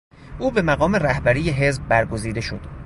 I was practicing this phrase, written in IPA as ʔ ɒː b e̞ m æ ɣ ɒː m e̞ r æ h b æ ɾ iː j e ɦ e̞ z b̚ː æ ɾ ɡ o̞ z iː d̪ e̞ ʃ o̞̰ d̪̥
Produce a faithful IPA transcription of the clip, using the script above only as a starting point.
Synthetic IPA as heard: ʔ uː b e̞ m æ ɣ ɒː m e̞ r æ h b æ ɾ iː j e ɦ e̞ z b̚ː æ ɾ ɡ o̞ z iː d̪ e̞ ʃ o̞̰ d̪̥